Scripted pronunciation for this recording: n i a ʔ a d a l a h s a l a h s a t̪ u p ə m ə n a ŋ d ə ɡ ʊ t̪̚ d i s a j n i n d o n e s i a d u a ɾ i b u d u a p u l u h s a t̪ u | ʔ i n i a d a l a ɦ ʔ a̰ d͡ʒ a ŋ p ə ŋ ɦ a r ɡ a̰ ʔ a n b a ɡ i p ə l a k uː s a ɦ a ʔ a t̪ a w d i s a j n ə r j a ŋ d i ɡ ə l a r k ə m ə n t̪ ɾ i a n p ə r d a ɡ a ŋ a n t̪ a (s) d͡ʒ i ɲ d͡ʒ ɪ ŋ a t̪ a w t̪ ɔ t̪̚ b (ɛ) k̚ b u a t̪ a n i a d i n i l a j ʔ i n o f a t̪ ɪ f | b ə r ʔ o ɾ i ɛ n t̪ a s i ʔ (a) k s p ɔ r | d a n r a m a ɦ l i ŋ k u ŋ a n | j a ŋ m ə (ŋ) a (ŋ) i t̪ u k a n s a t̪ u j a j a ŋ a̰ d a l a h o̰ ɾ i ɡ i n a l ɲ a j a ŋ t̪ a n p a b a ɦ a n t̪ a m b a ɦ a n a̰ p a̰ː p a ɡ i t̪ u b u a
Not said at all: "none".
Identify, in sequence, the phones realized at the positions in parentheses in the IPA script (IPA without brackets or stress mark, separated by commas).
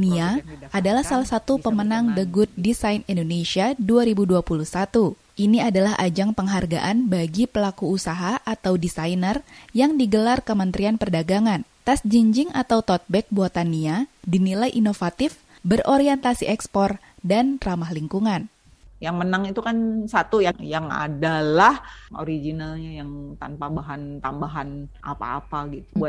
s, ɛ, ɛ, n, ŋ